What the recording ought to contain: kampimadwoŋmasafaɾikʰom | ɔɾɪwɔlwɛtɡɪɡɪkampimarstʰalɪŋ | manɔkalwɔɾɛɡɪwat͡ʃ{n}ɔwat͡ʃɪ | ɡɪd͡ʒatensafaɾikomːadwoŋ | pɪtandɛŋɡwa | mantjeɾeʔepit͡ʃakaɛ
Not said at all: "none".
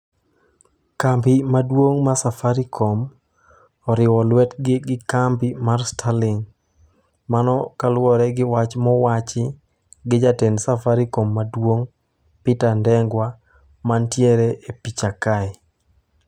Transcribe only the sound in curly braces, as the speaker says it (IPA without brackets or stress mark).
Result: m